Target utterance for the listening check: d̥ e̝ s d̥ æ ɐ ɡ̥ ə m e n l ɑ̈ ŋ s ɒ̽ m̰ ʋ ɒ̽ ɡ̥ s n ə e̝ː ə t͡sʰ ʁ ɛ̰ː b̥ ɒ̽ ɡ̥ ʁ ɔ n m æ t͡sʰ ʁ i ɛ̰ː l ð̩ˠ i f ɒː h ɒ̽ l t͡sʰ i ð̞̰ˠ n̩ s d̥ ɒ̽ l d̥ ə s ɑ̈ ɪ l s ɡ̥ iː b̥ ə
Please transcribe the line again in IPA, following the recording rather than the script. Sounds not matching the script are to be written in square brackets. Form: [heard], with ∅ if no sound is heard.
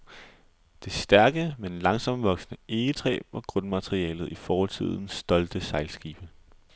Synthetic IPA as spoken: d̥ e̝ s d̥ æ ɐ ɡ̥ ə m e n l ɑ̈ ŋ s ɒ̽ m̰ ʋ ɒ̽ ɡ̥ s n ə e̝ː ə t͡sʰ ʁ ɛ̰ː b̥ ɒ̽ ɡ̥ ʁ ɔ n m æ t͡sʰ ʁ i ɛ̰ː l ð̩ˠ i f ɒː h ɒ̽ l t͡sʰ i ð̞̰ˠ n̩ s d̥ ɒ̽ l d̥ ə s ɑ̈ ɪ l s ɡ̥ iː b̥ ə